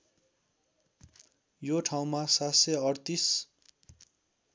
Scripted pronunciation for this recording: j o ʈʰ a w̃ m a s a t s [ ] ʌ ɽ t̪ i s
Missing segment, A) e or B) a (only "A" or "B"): A